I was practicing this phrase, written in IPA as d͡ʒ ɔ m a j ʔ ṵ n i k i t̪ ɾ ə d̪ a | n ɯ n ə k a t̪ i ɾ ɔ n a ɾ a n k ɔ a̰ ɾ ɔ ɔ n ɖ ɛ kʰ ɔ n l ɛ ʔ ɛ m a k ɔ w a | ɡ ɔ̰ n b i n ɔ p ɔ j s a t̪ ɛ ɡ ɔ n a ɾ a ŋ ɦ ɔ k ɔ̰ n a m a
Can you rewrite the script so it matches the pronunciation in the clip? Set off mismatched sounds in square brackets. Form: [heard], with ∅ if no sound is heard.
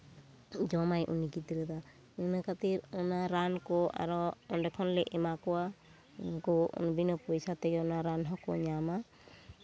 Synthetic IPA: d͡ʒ ɔ m a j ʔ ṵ n i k i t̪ ɾ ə d̪ a | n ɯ n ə k a t̪ i ɾ ɔ n a ɾ a n k ɔ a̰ ɾ ɔ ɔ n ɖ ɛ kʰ ɔ n l ɛ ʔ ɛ m a k ɔ w a | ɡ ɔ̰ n b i n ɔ p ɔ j s a t̪ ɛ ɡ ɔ n a ɾ a [n] ɦ ɔ k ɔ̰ [ɲ] a m a